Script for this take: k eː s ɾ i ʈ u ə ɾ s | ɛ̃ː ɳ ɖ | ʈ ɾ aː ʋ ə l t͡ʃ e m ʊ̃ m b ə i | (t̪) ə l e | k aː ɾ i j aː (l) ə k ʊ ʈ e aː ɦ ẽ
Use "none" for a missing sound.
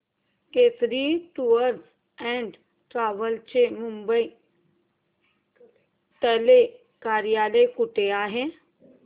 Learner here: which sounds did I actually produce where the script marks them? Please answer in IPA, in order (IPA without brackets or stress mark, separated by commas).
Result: t̪, l